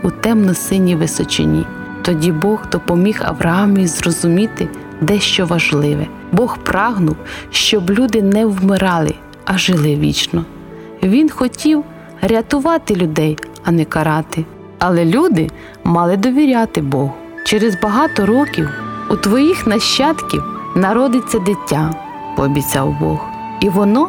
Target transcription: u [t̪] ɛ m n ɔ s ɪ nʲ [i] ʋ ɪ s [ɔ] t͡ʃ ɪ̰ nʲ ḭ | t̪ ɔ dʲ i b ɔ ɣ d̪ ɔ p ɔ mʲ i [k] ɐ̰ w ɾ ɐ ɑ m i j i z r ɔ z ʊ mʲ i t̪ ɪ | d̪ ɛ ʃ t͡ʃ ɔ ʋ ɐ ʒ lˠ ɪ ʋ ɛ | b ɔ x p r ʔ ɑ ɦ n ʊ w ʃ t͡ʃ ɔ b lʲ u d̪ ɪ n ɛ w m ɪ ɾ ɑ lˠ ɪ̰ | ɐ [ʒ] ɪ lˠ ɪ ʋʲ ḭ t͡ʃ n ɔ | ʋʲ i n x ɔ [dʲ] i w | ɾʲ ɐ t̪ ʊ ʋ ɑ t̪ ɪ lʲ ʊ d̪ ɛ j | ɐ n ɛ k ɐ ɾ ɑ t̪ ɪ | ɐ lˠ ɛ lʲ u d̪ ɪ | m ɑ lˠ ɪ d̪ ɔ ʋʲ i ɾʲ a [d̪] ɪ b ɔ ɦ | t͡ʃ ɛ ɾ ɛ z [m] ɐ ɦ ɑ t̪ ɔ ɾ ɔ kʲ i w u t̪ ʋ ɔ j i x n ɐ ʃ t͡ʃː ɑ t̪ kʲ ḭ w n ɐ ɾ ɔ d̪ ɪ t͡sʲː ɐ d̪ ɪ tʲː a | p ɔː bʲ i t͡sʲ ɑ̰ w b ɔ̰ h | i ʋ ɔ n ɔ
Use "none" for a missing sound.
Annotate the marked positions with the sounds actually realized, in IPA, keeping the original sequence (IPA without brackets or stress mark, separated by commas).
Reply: t̪, i, ɔ, x, ʒ, tʲ, t̪, b